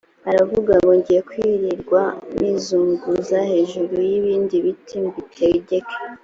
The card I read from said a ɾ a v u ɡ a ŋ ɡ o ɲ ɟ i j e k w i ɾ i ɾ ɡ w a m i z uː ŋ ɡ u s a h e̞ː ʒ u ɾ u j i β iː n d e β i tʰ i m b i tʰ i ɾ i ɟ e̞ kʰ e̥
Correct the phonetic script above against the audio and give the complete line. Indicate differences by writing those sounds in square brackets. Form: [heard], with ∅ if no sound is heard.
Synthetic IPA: a ɾ a v u ɡ a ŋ ɡ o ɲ ɟ i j e k w i ɾ i ɾ ɡ w a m i z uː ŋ ɡ u [z] a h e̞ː ʒ u ɾ u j i β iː n d [i] β i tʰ i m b i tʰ [e] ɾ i ɟ e̞ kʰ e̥